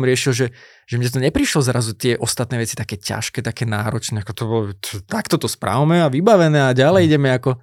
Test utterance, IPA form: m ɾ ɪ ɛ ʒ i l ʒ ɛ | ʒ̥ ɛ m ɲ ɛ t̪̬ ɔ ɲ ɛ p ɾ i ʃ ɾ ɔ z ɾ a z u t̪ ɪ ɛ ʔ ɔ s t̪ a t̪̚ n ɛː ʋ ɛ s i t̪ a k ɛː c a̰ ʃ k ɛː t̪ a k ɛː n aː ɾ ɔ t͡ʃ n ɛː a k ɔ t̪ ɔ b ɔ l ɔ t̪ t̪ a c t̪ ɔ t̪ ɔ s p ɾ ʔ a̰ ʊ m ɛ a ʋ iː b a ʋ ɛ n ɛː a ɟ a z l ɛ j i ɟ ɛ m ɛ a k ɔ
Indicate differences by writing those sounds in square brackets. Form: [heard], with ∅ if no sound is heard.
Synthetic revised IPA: m ɾ ɪ ɛ [ʃ] i l ʒ ɛ | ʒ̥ ɛ m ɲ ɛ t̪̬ ɔ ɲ ɛ p ɾ i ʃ [l] ɔ z ɾ a z u t̪ ɪ ɛ ʔ ɔ s t̪ a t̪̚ n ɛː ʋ ɛ [t͡s] i t̪ a k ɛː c a̰ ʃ k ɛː t̪ a k ɛː n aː ɾ ɔ t͡ʃ n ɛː a k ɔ t̪ ɔ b ɔ l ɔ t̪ t̪ a [k] t̪ ɔ t̪ ɔ s p ɾ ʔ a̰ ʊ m ɛ a ʋ [i] b a ʋ ɛ n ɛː a ɟ a [∅] l ɛ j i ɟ ɛ m ɛ a k ɔ